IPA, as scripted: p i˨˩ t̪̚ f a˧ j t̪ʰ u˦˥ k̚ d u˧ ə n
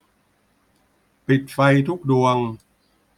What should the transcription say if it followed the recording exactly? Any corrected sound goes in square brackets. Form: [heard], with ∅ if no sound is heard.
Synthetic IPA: p i˨˩ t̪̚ f a˧ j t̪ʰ u˦˥ k̚ d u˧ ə [ŋ]